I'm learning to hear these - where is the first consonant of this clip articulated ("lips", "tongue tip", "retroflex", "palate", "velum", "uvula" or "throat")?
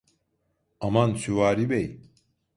lips